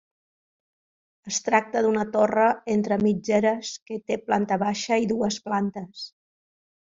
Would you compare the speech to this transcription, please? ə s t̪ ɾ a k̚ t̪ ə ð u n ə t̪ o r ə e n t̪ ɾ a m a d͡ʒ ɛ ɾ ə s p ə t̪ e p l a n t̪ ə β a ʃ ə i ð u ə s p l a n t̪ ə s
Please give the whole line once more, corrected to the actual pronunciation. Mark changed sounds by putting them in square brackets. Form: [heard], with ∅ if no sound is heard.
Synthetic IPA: ə s t̪ ɾ a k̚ t̪ ə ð u n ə t̪ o r ə e n t̪ ɾ [ə] m [i] d͡ʒ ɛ ɾ ə s [k] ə t̪ e p l a n t̪ ə β a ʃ ə i ð u ə s p l a n t̪ ə s